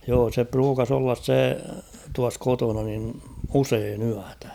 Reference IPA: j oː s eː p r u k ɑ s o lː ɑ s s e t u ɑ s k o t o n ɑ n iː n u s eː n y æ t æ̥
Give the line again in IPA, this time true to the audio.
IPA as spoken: j oː s e p r uː k ɑ s o lː ɑ s s e t u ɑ s k o t o n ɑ n i n u s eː n y æ t æ̥